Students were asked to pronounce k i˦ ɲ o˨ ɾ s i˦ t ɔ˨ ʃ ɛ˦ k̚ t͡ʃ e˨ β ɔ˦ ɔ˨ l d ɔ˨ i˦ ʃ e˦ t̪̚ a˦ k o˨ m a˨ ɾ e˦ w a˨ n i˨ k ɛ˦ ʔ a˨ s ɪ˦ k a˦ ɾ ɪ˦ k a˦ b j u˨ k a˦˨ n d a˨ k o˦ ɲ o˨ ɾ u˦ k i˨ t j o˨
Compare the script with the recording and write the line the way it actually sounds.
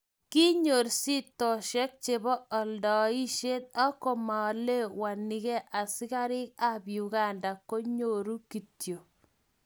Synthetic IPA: k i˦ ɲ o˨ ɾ s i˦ t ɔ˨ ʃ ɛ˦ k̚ t͡ʃ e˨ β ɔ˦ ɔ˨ l d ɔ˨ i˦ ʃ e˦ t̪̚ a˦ k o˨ m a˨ l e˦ w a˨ n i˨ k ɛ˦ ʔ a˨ s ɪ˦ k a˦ ɾ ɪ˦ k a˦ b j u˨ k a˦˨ n d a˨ k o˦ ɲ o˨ ɾ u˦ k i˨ t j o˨

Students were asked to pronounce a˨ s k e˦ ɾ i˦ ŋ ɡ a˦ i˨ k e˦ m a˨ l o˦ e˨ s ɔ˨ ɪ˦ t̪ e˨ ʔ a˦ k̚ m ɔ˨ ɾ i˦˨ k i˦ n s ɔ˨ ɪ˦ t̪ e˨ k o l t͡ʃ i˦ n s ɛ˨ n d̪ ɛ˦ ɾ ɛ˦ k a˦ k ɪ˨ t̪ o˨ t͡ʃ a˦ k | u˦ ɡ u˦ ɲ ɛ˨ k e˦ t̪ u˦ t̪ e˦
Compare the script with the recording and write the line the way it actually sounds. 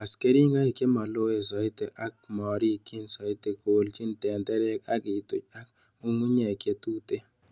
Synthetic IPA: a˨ s k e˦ ɾ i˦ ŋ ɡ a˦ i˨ k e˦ m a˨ l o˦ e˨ s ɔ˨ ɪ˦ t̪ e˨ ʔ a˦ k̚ m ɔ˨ ɾ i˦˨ k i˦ n s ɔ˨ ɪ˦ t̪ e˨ k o l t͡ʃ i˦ n t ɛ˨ n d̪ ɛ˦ ɾ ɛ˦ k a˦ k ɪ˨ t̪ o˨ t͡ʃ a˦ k | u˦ ŋ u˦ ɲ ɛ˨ k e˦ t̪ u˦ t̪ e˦

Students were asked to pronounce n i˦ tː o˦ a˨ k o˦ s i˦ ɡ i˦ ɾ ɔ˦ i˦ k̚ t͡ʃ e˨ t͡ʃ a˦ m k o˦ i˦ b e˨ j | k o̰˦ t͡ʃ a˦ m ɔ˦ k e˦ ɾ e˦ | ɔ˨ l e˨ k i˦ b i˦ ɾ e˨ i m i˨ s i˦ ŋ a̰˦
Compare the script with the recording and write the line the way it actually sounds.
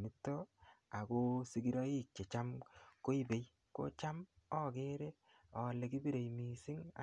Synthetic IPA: n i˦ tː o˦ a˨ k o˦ s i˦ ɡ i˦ ɾ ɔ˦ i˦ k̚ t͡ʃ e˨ t͡ʃ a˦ m k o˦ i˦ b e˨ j | k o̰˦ t͡ʃ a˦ m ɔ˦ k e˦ ɾ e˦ | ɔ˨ l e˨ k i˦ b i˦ ɾ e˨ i m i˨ s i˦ ŋ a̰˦

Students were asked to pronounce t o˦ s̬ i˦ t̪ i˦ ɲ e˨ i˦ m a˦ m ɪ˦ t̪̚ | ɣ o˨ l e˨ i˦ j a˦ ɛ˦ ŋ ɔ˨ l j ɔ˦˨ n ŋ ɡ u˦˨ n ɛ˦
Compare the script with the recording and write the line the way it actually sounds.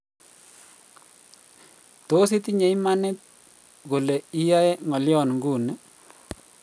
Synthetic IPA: t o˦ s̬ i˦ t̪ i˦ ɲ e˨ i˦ m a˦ n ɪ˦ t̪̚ | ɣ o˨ l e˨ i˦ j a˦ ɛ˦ ŋ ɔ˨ l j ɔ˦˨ n ŋ ɡ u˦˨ n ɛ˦

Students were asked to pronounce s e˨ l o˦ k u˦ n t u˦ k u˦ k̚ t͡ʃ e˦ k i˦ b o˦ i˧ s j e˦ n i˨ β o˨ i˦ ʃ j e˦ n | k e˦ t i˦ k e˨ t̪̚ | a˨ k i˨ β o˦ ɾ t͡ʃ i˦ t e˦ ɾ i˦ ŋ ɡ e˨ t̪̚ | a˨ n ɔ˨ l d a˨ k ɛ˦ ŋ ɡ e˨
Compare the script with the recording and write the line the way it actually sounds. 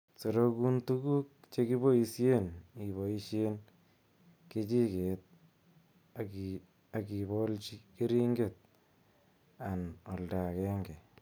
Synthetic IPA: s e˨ ɾ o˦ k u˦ n t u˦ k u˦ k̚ t͡ʃ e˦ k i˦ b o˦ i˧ s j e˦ n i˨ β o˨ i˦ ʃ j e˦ n | k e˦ t͡ʃ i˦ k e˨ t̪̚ | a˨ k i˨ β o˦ l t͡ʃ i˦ k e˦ ɾ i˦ ŋ ɡ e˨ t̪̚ | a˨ n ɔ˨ l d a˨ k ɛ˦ ŋ ɡ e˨

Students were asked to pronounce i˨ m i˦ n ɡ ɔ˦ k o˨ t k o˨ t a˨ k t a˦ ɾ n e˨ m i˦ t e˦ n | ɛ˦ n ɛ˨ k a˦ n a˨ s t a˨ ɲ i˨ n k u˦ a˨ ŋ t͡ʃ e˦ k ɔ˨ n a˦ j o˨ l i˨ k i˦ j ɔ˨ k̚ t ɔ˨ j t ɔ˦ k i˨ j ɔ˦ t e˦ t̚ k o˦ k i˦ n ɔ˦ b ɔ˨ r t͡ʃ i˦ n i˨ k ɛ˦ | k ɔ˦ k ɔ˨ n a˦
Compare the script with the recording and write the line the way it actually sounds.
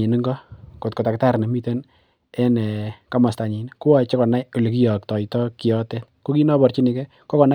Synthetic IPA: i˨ n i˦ ŋ ɡ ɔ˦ k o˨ t k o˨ t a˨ k t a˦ ɾ n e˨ m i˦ t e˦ n | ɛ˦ n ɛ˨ k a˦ m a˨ s t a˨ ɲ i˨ n k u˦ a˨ t͡ʃ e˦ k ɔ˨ n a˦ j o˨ l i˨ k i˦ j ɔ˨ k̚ t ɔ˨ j t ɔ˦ k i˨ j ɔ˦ t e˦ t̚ k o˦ k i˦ n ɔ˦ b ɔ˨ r t͡ʃ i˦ n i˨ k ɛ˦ | k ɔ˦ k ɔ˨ n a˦

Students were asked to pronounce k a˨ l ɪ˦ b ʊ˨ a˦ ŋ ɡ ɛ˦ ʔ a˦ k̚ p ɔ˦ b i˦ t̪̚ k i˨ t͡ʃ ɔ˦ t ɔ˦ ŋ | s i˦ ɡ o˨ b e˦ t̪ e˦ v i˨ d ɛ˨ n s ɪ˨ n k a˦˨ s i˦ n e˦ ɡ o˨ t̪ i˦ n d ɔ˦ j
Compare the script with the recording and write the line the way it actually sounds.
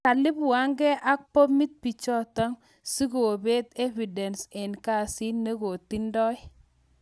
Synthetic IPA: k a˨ l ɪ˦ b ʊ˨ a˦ ŋ ɡ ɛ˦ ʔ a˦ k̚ p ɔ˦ m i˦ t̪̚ p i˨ t͡ʃ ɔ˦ t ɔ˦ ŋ | s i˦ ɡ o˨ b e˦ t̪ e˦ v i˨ d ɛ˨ n s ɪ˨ n k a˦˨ s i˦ n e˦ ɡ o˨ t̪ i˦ n d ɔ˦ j

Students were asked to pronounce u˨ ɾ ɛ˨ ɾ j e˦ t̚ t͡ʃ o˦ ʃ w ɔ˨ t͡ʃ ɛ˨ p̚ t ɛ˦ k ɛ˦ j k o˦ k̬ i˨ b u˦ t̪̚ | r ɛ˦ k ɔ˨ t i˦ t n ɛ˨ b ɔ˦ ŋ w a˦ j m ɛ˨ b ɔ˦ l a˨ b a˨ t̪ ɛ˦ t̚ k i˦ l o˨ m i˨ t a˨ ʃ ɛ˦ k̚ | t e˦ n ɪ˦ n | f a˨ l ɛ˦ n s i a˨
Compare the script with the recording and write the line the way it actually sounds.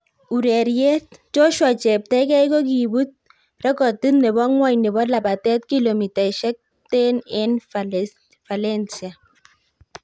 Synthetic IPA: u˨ ɾ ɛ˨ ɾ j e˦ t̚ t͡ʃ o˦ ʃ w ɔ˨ t͡ʃ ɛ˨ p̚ t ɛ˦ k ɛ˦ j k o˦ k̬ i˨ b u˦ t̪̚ | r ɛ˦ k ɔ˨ t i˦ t n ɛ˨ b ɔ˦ ŋ w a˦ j n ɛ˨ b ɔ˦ l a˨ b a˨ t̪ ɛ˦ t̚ k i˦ l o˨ m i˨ t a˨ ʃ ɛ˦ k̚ | t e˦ n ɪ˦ n | f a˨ l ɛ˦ n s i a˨

